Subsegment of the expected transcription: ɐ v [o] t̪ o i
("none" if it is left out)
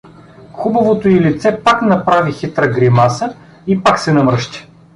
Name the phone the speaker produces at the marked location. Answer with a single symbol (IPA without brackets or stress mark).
o